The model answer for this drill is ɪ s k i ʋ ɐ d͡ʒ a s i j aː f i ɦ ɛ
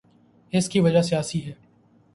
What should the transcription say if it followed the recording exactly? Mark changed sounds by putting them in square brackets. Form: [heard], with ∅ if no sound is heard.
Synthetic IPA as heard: ɪ s k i ʋ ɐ d͡ʒ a s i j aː [s] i ɦ [ɛː]